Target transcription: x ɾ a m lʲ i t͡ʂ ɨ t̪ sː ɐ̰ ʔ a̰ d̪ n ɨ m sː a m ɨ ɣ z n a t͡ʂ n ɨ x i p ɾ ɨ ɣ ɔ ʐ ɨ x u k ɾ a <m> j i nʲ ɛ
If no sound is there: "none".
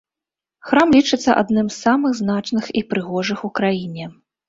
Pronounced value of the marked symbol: none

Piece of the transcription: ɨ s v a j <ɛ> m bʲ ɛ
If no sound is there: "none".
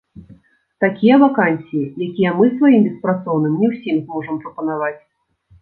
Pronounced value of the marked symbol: i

